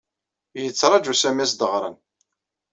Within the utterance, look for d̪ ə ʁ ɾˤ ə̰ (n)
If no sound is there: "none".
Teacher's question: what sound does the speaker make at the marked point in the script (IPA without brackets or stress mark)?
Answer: n